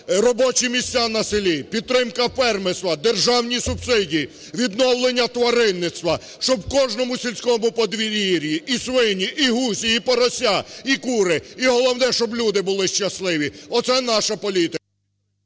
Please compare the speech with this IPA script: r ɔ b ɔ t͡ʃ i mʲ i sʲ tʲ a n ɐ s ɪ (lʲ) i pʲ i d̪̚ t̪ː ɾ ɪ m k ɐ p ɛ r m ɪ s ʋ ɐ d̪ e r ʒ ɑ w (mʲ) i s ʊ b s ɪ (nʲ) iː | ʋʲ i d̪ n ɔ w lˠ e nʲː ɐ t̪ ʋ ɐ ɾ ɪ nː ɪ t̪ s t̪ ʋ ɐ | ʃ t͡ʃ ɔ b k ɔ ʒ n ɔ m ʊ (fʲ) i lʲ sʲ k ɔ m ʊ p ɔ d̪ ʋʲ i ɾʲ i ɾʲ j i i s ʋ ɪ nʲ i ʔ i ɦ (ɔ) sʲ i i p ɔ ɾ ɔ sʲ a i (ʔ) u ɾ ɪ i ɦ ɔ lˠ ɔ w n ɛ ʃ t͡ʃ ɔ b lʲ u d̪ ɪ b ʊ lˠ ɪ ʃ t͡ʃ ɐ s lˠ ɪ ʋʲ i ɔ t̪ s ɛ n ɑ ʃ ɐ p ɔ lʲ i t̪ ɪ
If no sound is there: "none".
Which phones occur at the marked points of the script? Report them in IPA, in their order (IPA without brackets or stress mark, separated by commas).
lʲ, nʲ, dʲ, sʲ, u, k